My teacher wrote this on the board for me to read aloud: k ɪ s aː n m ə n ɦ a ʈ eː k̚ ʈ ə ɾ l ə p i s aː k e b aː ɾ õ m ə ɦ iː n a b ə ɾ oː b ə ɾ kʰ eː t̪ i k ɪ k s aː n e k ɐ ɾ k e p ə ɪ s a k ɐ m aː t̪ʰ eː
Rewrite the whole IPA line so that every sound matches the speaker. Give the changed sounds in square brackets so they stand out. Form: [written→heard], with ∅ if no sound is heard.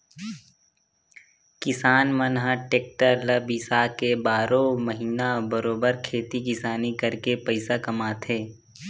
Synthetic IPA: k ɪ s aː n m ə n ɦ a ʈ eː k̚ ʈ ə ɾ l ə [p→b] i s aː k e b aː ɾ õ m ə ɦ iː n a b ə ɾ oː b ə ɾ kʰ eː t̪ i k ɪ [k→∅] s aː n [e→i] k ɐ ɾ k e p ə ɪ s a k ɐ m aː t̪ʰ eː